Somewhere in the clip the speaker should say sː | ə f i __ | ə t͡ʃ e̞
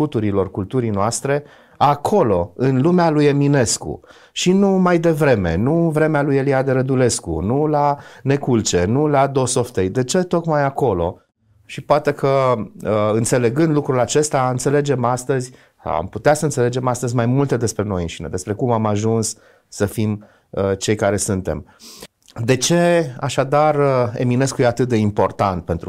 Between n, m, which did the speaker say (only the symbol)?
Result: m